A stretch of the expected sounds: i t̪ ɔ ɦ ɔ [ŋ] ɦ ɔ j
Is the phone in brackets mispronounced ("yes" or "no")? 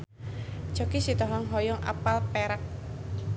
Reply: no